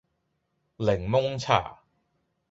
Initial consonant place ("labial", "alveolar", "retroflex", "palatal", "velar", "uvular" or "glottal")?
alveolar